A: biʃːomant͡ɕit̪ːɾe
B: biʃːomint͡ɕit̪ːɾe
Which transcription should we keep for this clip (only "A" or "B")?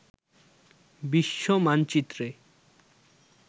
A